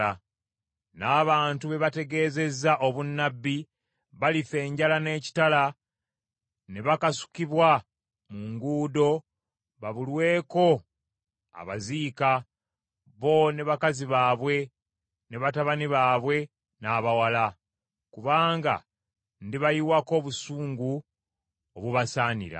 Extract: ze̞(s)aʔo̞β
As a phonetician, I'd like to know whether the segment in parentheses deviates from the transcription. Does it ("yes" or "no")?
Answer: yes